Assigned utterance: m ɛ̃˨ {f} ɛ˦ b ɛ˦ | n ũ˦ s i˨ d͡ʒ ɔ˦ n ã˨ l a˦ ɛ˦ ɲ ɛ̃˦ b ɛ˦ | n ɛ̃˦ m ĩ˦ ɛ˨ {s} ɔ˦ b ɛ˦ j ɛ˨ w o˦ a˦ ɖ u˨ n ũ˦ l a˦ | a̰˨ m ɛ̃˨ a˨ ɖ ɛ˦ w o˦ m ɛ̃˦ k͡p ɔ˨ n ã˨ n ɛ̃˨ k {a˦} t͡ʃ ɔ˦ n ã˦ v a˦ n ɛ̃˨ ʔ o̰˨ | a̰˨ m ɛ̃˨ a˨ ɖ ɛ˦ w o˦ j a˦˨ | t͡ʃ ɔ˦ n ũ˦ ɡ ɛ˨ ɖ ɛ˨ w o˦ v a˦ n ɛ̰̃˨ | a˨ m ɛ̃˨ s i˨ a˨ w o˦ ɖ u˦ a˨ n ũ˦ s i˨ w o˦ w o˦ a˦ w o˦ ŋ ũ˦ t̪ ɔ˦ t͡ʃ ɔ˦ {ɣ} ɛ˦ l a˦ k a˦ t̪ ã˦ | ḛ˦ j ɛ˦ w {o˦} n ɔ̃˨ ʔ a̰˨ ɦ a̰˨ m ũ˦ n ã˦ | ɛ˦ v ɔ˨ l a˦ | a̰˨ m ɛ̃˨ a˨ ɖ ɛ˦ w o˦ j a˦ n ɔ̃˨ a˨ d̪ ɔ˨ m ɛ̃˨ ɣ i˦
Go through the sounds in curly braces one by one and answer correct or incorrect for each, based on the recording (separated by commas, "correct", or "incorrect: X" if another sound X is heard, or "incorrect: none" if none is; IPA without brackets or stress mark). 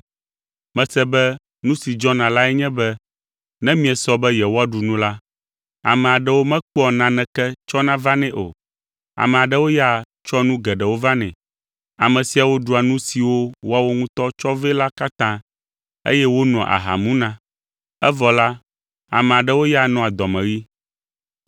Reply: incorrect: s, correct, incorrect: ɛ˦, incorrect: v, correct